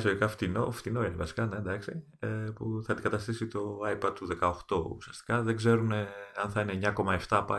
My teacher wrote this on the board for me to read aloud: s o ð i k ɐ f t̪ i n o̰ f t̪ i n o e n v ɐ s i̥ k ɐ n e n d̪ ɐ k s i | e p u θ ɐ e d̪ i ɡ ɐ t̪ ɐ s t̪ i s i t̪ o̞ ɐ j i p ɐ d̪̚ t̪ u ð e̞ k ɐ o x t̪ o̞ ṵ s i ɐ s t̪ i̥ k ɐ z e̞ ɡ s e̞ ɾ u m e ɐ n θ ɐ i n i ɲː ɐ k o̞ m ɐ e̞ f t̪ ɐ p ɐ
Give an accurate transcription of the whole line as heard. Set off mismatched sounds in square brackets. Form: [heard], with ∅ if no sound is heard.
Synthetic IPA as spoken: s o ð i k ɐ f t̪ i n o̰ f t̪ i n o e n v ɐ s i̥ k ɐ n e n d̪ ɐ k s i | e p u θ ɐ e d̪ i ɡ ɐ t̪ ɐ s t̪ i s i t̪ o̞ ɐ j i p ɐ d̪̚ t̪ u ð e̞ k ɐ o x t̪ o̞ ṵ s i ɐ s t̪ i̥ k ɐ [ð] e̞ ɡ [z] e̞ ɾ u [n] e ɐ n θ ɐ i n [e] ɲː ɐ k o̞ m ɐ e̞ f t̪ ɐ p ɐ